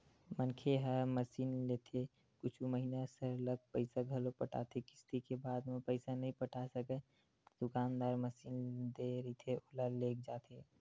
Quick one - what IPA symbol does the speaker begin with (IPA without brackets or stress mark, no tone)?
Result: m